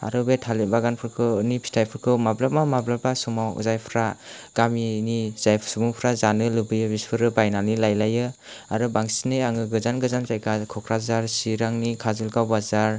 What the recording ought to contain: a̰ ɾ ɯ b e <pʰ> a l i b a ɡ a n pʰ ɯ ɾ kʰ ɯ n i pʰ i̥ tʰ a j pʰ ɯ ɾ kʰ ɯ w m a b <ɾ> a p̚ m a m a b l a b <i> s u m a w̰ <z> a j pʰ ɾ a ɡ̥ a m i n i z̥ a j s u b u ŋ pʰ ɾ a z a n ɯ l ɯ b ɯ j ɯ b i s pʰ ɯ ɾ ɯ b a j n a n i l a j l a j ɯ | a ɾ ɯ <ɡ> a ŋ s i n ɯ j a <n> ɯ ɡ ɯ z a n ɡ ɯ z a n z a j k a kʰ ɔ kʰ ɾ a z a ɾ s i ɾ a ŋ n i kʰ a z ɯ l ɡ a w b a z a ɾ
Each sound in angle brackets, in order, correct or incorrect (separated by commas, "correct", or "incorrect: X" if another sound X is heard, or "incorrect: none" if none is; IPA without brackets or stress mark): incorrect: tʰ, incorrect: l, incorrect: a, correct, incorrect: b, incorrect: ŋ